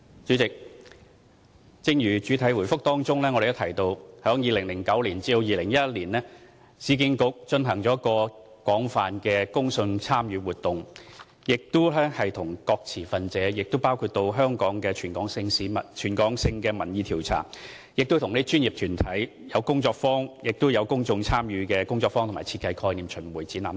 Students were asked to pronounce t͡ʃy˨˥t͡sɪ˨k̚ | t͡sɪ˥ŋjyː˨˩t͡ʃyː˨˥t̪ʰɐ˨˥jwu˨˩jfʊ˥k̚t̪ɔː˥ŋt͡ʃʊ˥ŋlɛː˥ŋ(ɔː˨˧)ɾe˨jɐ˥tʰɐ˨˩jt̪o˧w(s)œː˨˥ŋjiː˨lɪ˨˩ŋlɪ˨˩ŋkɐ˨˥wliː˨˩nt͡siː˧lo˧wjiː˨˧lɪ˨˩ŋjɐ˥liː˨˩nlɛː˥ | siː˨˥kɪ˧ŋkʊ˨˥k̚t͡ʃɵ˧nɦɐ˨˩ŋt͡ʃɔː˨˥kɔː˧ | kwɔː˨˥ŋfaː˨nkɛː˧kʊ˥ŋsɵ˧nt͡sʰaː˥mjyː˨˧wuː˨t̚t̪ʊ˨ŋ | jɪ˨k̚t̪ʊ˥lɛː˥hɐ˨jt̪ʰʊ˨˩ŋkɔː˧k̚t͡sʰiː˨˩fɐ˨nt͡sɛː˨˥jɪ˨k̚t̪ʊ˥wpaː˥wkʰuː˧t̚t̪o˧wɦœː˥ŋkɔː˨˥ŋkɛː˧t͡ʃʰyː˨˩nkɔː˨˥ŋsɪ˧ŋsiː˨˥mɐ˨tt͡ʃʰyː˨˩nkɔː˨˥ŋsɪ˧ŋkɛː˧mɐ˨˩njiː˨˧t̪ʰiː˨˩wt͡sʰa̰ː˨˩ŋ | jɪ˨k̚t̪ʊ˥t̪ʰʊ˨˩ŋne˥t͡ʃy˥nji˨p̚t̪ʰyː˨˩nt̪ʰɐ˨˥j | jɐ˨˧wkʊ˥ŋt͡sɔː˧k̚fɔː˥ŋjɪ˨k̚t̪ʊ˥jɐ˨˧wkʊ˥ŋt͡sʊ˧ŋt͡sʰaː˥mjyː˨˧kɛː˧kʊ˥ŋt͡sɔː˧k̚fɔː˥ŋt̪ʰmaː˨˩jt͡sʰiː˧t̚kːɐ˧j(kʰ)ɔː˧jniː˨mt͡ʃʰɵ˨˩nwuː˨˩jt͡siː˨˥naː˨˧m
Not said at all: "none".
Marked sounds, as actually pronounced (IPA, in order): ɔ˨˧, h, kʰ

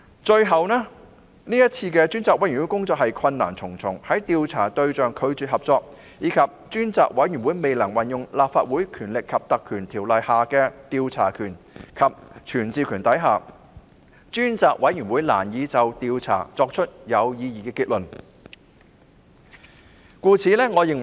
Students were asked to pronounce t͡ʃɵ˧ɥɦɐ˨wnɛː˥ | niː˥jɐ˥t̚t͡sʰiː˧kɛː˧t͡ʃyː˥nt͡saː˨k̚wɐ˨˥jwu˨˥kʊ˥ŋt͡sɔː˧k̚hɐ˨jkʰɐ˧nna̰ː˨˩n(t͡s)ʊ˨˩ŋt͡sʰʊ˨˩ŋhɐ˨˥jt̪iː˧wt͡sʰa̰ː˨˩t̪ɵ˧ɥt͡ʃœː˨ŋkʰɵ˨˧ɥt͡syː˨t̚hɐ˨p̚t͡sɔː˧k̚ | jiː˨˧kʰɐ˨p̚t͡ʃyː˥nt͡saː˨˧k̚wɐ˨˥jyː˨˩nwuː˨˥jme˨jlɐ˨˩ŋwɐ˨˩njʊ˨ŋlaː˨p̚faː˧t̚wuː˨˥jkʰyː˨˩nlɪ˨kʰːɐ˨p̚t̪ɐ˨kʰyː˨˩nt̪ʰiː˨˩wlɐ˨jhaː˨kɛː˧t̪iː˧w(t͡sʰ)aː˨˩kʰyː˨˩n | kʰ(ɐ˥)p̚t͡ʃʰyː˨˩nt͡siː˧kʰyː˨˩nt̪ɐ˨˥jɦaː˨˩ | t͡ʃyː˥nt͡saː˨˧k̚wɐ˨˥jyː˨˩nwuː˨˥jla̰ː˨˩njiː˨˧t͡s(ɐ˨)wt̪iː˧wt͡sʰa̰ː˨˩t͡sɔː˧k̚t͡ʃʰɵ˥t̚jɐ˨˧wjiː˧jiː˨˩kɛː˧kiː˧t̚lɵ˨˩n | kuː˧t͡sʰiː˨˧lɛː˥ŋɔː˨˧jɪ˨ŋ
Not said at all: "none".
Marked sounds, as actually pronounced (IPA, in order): t͡sʰ, t͡sʰ, ɐ˨, ɐ˨

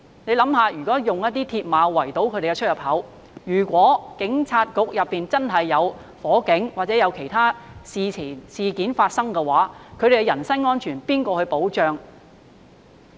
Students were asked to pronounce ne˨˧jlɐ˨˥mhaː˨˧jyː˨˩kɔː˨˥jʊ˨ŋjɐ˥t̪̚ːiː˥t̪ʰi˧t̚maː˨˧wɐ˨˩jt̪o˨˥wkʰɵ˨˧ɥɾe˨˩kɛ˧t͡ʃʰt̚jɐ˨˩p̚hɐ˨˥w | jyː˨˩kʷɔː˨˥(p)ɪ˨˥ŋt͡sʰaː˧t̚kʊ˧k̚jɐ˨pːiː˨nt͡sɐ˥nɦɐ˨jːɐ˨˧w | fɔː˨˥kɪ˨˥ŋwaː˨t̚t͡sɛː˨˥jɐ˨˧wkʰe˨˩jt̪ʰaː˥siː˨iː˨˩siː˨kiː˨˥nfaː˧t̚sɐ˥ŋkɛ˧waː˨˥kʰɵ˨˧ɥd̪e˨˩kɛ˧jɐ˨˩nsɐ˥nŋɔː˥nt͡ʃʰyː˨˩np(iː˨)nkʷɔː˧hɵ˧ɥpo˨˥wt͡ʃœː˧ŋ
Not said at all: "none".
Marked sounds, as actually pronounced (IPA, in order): k, iː˥

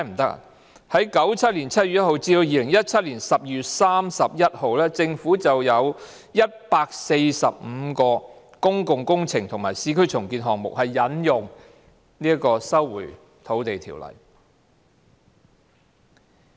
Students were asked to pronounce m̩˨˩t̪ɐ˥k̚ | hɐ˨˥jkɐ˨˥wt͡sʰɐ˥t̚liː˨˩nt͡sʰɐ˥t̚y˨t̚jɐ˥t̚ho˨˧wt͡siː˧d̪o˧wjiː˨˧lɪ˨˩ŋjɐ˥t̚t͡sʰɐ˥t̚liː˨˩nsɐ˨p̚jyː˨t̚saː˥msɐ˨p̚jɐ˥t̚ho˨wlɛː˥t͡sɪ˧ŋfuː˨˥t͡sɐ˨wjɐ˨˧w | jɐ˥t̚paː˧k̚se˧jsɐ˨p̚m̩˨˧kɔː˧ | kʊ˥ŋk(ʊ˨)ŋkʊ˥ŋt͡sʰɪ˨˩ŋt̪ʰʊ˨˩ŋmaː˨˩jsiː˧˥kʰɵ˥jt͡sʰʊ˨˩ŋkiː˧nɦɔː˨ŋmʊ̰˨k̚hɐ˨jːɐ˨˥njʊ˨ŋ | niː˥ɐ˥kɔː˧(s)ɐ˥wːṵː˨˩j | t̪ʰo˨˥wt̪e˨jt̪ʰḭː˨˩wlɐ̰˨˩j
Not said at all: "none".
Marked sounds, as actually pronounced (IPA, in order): ʊ˨, s

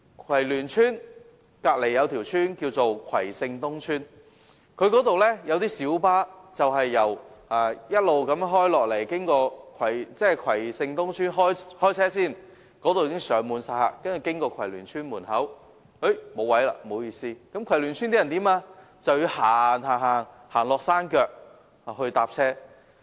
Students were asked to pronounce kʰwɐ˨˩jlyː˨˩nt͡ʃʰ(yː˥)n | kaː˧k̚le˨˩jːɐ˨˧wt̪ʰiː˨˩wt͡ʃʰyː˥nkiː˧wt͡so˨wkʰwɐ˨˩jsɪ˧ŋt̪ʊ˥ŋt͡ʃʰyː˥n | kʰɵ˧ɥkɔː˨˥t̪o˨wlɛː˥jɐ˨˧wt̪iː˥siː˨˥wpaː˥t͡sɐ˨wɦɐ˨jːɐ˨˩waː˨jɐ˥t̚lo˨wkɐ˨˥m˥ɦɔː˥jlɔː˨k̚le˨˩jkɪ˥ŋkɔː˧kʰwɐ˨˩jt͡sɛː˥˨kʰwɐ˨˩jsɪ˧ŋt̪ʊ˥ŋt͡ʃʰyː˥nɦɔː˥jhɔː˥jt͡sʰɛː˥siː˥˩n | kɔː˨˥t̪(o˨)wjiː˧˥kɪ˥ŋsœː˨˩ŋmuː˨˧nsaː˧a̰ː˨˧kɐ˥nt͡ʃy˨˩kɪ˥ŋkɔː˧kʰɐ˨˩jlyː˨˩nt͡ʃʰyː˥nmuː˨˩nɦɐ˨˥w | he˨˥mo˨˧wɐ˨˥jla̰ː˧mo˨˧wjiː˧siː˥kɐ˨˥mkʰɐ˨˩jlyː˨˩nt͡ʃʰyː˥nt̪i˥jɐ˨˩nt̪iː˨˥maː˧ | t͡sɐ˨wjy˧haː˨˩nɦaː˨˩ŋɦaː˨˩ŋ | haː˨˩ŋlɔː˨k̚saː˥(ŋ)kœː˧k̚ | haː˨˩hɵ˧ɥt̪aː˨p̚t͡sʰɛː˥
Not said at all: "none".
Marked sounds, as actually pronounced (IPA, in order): yː˥, o˨, n

